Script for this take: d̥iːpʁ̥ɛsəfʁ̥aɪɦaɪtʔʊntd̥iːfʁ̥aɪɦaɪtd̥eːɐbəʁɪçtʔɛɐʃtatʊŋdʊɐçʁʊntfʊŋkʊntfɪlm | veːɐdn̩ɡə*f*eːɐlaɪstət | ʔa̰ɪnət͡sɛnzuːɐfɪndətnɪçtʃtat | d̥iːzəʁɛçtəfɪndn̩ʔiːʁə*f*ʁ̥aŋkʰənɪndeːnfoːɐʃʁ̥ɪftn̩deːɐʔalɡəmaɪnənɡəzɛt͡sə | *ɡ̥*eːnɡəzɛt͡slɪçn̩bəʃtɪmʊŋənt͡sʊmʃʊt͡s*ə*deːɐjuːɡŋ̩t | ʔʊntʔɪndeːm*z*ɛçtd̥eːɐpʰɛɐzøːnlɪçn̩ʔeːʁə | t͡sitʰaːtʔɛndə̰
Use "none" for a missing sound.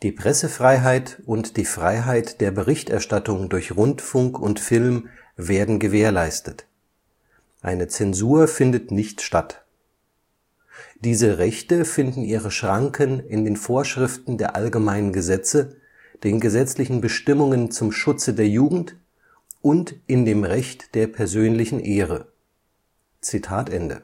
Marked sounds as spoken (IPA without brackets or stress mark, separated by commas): v, ʃ, d̥, ə, ʁ